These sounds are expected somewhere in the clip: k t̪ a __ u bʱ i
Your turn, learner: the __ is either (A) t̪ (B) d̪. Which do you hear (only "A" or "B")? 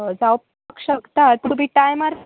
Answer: A